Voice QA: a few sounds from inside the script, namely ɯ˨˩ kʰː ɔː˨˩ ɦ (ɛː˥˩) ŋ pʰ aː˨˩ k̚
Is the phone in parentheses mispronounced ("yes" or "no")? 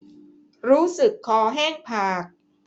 no